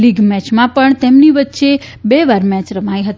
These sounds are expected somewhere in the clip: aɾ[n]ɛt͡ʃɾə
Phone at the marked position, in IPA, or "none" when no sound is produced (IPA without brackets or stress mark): m